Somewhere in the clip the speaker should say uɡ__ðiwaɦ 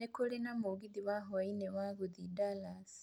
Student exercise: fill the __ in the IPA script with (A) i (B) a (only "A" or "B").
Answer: A